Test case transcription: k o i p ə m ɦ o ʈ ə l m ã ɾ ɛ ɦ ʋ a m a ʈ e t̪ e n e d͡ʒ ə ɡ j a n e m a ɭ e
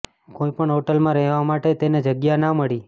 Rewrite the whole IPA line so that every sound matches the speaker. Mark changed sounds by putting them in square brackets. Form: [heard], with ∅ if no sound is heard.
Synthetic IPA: k o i p ə [ɳ] ɦ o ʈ ə l m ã ɾ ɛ ɦ ʋ a m a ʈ e t̪ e n e d͡ʒ ə ɡ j a n [a] m [ə] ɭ [i]